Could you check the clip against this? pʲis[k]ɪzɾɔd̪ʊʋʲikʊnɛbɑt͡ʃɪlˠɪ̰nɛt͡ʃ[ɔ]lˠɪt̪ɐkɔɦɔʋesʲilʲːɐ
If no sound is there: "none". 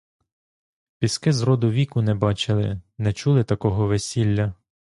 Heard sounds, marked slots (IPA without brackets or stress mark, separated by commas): k, u